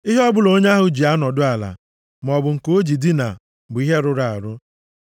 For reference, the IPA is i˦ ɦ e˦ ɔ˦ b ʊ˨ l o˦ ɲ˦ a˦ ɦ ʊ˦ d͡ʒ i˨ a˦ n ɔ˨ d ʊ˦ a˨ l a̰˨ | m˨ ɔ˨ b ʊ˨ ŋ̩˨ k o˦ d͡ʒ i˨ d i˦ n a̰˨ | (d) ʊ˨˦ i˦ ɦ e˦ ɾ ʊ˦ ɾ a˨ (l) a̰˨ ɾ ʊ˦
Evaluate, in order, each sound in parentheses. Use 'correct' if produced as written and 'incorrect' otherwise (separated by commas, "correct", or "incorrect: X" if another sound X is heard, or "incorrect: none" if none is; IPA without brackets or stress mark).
incorrect: b, incorrect: none